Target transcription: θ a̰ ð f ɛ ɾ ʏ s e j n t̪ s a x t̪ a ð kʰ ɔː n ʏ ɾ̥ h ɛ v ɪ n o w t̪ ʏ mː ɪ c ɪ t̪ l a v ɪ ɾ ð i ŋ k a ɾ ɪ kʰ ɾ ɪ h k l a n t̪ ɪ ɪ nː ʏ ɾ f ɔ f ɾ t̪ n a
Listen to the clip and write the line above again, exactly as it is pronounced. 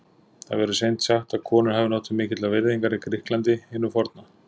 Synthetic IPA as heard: θ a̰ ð v ɛ ɾ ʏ s e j n t̪ s a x t̪ a ð kʰ ɔː n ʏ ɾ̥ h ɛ v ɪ n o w t̪ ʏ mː ɪː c ɪ t̪ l a v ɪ ɾ ð i ŋ k a ɾ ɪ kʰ ɾ ɪ h k l a n t̪ ɪ ɪ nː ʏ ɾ f ɔ ɾ t̪ n a